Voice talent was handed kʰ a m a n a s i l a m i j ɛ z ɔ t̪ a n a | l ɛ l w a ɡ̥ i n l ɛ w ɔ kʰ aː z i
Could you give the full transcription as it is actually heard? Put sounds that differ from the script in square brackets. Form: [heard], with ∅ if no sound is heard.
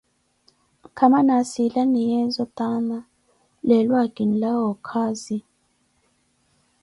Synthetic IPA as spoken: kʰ a m a n a s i l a [n] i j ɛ z ɔ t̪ a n a | l ɛ l w a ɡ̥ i n l [a] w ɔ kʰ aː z i